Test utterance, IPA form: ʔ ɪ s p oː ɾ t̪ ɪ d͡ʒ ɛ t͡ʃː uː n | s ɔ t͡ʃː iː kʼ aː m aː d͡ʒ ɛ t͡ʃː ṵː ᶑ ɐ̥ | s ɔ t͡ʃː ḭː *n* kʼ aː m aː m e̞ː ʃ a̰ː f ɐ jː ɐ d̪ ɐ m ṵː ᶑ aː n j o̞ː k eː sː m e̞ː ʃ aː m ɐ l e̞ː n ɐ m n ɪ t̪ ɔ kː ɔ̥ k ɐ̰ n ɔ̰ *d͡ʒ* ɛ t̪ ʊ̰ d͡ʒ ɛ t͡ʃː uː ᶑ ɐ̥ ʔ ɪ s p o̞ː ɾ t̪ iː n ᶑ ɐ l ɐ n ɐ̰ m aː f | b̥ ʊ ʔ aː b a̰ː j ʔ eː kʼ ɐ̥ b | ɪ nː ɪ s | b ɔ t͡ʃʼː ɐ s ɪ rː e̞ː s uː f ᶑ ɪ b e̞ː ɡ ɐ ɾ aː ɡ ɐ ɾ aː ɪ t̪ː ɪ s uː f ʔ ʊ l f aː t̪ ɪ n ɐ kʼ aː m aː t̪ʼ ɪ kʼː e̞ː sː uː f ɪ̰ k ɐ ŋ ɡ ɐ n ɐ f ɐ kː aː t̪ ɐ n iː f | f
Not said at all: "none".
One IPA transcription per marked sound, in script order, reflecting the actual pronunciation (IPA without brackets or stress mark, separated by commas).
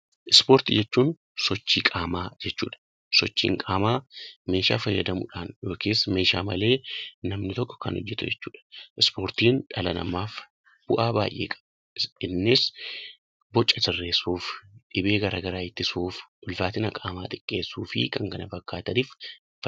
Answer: ŋ, d͡ʒː